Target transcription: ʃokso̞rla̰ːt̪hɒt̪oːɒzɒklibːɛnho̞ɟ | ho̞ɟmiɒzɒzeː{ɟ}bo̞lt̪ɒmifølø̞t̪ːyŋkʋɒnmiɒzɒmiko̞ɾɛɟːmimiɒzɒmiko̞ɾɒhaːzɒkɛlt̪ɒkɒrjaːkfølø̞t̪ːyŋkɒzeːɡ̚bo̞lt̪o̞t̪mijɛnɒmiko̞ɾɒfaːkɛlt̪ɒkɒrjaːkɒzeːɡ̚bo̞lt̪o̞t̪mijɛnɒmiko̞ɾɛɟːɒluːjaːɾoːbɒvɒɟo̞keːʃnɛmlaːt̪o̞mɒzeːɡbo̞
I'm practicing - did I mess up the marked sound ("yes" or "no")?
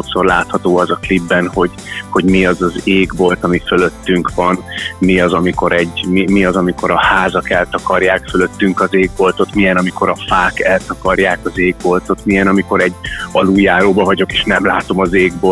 yes